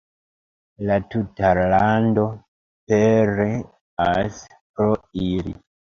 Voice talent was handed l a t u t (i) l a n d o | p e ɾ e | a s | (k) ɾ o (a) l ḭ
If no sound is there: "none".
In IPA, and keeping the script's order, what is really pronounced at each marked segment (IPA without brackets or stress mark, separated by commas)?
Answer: a, p, i